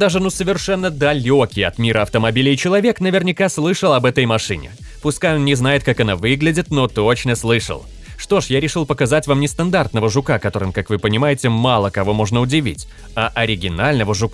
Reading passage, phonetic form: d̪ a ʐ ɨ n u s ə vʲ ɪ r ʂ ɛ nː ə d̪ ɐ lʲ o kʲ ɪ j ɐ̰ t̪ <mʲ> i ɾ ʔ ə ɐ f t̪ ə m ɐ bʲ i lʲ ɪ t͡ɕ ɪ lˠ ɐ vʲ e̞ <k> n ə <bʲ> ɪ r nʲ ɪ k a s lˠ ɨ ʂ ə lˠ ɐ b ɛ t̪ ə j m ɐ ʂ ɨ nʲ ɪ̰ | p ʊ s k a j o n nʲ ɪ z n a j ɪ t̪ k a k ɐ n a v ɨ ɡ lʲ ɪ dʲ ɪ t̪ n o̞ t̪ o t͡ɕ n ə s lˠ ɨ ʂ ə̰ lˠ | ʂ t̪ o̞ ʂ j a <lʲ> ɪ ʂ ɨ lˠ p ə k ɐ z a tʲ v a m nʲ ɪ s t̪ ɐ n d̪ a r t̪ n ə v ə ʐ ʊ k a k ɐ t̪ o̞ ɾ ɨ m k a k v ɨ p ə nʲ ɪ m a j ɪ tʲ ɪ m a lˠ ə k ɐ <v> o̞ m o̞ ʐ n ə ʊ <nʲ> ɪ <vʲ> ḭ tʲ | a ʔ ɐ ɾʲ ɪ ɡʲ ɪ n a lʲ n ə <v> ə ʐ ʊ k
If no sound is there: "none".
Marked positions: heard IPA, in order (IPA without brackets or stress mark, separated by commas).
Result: mʲ, k, vʲ, ɾʲ, v, dʲ, vʲ, v